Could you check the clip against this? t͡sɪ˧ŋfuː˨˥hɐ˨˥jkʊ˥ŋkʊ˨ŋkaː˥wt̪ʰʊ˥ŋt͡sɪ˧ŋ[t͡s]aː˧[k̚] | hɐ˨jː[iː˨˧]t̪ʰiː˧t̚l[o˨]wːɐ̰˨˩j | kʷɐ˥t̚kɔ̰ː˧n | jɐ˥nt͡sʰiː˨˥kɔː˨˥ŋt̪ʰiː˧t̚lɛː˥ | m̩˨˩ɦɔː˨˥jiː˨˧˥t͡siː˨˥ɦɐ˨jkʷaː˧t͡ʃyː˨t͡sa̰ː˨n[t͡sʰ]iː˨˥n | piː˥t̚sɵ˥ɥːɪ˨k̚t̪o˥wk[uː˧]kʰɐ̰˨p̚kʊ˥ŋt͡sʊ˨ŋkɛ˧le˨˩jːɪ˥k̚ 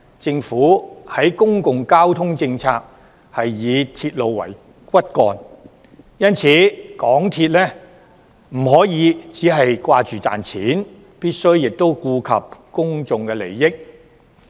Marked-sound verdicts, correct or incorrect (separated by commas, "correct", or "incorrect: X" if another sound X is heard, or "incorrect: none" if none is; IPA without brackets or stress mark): incorrect: t͡sʰ, correct, correct, correct, correct, correct